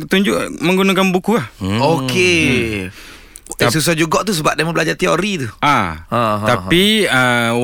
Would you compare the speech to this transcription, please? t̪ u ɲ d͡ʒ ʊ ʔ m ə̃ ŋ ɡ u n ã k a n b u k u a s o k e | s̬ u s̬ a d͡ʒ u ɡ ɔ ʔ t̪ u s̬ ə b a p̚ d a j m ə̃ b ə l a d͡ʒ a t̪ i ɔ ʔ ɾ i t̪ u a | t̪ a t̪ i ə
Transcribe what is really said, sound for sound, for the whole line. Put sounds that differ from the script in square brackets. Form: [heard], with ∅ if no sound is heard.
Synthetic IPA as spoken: t̪ u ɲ d͡ʒ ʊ ʔ m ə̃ ŋ ɡ u n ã k a n b u k u a [h] o k e | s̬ u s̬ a d͡ʒ u ɡ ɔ ʔ t̪ u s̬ ə b a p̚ d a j m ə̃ b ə l a d͡ʒ a t̪ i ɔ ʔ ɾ i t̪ u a | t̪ a [∅] i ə